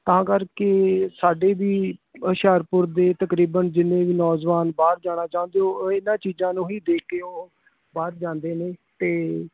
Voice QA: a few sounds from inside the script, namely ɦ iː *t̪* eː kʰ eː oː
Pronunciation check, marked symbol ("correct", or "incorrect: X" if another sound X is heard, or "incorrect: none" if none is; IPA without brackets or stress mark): incorrect: d̪